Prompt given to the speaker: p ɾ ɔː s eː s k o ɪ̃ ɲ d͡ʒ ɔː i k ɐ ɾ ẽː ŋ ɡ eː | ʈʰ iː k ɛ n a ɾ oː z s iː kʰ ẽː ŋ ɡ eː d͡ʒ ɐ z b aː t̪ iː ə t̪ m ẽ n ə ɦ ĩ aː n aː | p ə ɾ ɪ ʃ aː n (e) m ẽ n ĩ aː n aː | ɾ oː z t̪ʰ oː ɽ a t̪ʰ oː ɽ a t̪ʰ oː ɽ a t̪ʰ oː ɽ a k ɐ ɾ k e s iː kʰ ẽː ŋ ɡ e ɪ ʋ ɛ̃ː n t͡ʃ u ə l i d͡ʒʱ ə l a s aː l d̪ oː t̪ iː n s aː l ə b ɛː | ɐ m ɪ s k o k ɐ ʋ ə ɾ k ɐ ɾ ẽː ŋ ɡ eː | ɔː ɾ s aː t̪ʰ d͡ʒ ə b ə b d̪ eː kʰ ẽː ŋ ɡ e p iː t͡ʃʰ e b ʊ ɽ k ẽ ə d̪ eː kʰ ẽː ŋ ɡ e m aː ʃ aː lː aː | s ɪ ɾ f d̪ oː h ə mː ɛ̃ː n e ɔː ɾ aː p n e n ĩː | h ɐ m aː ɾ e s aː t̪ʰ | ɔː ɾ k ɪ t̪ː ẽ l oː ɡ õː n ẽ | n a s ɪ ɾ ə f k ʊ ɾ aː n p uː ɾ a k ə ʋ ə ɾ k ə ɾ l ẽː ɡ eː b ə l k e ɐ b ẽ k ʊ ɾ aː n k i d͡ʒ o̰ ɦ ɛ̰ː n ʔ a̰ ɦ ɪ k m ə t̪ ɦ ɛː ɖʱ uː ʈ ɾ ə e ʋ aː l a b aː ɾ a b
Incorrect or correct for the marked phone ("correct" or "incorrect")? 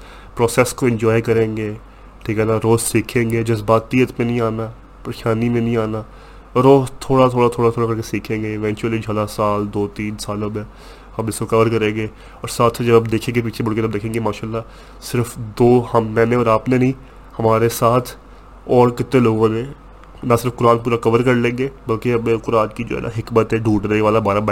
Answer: incorrect